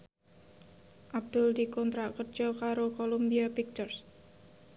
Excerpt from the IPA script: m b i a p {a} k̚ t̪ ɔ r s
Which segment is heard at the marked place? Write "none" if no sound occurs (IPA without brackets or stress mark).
i